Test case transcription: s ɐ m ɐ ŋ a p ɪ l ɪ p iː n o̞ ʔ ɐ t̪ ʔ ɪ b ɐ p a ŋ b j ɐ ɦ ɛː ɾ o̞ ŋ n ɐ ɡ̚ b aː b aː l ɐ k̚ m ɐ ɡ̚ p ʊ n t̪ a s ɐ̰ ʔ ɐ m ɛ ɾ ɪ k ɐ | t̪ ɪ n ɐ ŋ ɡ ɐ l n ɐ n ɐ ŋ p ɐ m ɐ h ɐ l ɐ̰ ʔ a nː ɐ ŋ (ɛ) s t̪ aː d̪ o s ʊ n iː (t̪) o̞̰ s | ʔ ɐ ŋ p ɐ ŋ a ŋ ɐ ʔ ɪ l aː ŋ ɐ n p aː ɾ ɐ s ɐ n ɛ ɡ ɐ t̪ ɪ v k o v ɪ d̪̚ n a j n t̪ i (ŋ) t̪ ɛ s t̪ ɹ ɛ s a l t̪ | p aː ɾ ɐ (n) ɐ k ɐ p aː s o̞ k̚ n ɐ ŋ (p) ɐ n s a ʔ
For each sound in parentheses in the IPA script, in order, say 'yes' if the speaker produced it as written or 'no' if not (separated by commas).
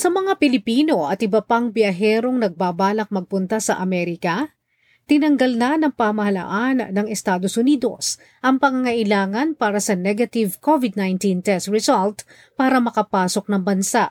yes, no, no, no, no